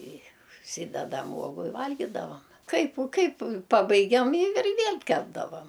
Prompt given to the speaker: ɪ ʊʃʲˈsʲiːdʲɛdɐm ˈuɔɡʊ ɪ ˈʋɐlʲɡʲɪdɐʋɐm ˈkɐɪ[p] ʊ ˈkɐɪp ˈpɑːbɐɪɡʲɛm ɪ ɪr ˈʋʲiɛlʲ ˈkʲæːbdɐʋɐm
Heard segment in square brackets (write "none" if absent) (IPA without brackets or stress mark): p